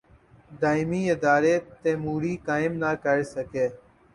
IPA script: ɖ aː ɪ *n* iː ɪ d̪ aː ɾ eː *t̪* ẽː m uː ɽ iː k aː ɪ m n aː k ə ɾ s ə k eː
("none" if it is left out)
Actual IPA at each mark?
m, t̪

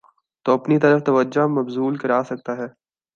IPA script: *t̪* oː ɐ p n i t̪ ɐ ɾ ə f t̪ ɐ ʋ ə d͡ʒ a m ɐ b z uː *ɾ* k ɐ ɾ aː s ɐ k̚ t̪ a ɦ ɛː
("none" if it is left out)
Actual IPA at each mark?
t̪, l

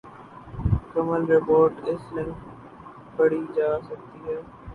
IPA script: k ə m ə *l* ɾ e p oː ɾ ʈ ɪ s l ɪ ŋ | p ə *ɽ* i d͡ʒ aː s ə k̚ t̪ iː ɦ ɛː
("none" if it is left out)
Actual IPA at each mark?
l, ɽ

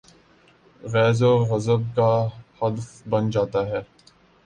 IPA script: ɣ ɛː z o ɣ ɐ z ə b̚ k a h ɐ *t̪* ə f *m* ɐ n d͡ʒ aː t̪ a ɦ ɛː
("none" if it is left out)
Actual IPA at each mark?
d̪, b

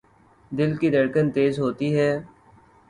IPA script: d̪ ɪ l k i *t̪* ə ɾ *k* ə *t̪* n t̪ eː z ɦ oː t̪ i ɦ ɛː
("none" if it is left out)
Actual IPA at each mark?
d̪, k, none

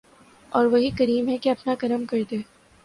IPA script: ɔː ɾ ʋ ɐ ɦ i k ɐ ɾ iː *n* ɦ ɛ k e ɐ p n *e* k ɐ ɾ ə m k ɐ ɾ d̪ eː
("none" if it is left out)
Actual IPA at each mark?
m, a

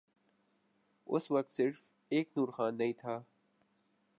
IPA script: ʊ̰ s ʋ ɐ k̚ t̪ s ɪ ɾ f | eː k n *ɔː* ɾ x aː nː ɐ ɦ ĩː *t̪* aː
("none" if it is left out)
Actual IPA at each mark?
uː, t̪ʰ

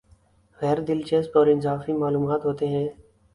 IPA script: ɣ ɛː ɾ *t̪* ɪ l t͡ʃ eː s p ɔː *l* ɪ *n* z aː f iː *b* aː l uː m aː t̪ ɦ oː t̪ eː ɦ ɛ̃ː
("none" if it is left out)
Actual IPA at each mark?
d̪, ɾ, n, m

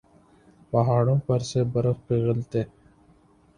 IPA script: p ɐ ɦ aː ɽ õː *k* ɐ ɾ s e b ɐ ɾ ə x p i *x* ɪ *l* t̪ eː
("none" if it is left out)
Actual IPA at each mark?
p, ɣ, l

